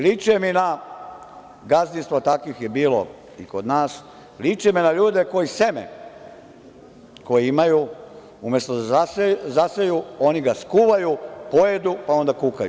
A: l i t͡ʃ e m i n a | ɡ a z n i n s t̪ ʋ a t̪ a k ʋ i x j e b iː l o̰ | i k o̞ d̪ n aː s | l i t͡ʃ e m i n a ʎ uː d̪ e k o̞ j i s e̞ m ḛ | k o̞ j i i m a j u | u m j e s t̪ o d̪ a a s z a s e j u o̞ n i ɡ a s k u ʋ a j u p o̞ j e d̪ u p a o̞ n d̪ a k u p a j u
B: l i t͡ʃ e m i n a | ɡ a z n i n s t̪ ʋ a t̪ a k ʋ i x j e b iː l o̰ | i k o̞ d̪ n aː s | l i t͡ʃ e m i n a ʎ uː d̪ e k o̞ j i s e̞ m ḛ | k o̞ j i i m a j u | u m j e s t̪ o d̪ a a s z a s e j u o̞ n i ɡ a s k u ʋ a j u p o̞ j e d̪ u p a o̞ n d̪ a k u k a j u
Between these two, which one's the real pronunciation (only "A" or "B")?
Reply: B